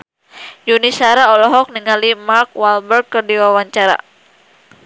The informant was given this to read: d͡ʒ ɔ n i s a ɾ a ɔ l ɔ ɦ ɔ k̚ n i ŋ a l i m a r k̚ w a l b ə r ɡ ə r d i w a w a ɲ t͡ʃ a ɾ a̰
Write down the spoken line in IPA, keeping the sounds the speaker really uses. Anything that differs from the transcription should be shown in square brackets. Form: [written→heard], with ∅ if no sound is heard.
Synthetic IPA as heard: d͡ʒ [ɔ→u] n i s a ɾ a ɔ l ɔ ɦ ɔ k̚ n i ŋ a l i m a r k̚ w a l b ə r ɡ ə r d i w a w a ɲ t͡ʃ a ɾ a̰